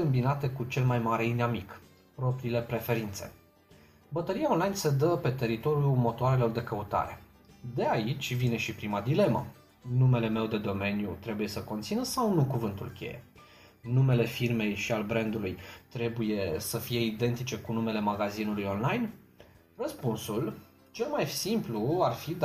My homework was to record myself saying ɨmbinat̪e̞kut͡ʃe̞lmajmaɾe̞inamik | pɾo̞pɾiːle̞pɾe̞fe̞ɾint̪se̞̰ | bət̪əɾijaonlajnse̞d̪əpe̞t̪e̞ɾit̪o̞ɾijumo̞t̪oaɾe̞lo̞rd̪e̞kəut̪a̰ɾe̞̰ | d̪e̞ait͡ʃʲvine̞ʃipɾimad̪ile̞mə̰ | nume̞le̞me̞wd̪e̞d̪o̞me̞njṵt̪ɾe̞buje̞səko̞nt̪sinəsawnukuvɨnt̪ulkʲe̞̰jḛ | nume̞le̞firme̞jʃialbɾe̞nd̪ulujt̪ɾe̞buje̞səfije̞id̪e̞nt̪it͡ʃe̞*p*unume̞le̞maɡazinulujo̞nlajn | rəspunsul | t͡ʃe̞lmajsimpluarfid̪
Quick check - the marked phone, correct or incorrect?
incorrect